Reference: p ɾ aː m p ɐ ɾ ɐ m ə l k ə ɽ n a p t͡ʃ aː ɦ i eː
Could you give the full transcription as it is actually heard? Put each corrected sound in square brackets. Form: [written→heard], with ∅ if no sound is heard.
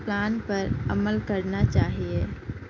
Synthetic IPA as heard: p [ɾ→l] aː [m→n] p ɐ ɾ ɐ m ə l k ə [ɽ→ɾ] n a [p→∅] t͡ʃ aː ɦ i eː